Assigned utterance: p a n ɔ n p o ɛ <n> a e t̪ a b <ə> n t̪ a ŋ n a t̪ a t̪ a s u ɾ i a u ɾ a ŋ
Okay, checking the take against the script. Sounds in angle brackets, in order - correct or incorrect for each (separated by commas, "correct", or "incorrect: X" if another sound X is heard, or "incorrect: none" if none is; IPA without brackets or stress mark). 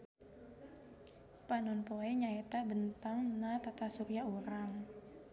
incorrect: ɲ, correct